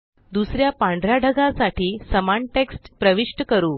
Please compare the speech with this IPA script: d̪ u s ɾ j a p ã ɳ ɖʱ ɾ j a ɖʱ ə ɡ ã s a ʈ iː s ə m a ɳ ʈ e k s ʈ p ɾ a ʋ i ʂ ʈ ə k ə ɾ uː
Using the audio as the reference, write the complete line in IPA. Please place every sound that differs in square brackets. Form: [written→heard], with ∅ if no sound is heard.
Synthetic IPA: d̪ u s ɾ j a p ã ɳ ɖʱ ɾ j a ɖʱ ə ɡ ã s a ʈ iː s ə m a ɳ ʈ e k s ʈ p ɾ [a→ə] ʋ i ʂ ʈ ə k ə ɾ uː